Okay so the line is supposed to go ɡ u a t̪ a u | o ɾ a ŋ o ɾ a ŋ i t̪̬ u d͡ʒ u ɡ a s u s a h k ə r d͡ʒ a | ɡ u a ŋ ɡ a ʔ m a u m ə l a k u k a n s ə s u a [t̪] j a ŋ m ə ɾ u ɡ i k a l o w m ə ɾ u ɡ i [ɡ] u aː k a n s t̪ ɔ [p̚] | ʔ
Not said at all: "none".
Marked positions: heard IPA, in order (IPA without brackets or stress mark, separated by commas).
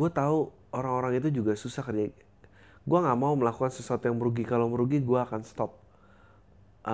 t̪, ɡ, p̚